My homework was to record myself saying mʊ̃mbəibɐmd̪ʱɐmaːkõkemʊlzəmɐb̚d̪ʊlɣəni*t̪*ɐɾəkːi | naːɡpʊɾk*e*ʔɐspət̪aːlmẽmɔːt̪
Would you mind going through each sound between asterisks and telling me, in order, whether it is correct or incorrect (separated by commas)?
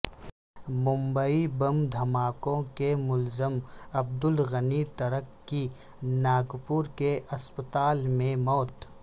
correct, correct